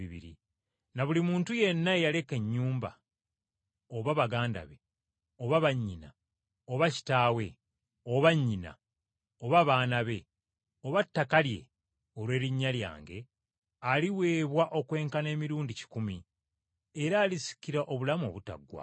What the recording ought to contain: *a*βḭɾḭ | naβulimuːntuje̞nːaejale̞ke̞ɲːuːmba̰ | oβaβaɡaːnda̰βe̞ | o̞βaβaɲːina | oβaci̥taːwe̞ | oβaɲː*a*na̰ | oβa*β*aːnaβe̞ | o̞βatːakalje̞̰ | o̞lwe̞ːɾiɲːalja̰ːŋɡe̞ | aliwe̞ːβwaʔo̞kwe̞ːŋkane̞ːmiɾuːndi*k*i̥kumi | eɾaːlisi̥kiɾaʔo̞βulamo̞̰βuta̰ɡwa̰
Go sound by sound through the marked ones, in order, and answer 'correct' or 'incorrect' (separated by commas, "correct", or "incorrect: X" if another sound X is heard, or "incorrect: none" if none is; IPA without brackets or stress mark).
incorrect: i, incorrect: i, correct, incorrect: c